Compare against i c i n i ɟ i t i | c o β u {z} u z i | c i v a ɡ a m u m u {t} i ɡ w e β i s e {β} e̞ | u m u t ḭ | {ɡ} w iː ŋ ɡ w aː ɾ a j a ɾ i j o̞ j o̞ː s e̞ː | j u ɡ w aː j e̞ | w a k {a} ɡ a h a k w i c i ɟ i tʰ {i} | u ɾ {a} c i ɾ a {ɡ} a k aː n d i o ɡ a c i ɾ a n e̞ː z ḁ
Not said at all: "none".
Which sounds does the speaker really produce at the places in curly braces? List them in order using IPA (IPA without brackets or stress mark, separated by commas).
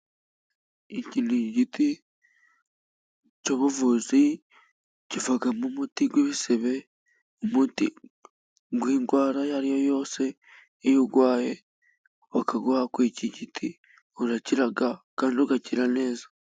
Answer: v, t, β, ɡ, a, i, a, ɡ